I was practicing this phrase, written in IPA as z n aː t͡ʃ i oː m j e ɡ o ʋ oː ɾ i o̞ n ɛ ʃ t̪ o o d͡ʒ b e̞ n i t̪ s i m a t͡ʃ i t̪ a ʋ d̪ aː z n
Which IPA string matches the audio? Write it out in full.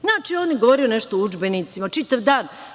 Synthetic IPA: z n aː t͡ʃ i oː n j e ɡ o ʋ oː ɾ i o̞ n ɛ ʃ t̪ o u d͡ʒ b e̞ n i t̪ s i m a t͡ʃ i t̪ a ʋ d̪ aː n